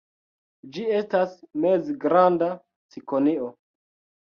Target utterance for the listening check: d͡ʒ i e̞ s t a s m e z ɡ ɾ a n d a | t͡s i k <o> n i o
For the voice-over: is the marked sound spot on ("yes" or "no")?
yes